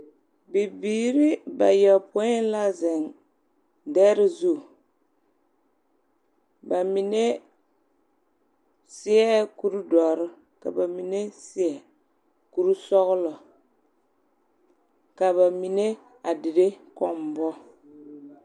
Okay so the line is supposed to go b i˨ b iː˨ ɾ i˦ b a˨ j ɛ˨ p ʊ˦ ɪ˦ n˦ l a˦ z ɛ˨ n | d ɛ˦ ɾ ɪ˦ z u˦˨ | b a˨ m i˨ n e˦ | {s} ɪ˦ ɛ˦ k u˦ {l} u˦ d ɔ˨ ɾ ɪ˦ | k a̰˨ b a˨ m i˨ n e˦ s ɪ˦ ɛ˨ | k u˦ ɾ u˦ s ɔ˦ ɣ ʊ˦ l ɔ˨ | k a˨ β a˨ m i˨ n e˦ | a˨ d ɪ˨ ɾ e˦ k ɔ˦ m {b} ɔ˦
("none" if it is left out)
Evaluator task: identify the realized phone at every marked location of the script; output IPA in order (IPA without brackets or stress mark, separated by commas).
s, ɾ, b